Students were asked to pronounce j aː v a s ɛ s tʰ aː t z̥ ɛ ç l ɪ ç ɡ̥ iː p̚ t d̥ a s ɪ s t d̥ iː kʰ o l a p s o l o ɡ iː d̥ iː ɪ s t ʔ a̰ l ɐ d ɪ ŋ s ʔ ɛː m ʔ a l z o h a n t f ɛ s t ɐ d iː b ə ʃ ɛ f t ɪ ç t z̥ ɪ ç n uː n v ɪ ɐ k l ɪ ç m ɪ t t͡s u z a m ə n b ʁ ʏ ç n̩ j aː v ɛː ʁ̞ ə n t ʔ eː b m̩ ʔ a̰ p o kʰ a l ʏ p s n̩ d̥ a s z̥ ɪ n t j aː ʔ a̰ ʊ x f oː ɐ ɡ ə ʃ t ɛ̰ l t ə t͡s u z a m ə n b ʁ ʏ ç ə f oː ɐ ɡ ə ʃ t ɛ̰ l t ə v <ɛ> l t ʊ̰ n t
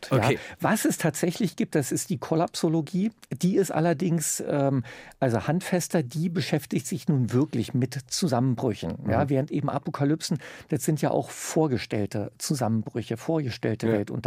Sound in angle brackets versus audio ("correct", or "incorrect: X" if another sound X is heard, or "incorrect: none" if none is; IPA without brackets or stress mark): correct